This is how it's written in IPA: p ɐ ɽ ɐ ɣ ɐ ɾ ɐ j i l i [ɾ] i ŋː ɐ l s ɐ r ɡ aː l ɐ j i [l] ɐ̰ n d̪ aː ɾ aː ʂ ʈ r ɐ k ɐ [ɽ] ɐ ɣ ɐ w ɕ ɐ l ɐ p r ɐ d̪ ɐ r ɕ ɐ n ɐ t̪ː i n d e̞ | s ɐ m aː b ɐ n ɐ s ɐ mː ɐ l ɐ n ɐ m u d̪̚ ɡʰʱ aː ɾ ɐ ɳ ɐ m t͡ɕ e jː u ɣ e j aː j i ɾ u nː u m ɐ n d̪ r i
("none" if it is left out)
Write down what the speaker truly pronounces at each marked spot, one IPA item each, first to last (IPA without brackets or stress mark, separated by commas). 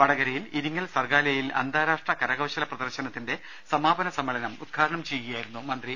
ɾ, l, ɾ